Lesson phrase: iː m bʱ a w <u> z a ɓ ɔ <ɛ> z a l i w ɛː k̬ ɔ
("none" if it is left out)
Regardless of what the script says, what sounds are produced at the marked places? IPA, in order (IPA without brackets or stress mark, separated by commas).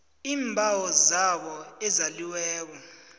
ɔ, ɛ